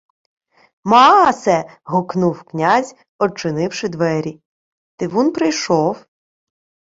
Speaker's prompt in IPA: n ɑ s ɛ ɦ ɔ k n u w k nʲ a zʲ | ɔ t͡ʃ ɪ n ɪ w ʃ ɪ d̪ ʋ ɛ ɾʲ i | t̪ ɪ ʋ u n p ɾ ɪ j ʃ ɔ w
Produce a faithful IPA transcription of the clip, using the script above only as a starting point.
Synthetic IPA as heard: m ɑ s ɛ ɦ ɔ k n u w k nʲ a zʲ | ɔ t͡ʃ ɪ n ɪ w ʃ ɪ d̪ ʋ ɛ ɾʲ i | t̪ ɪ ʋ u n p ɾ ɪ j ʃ ɔ w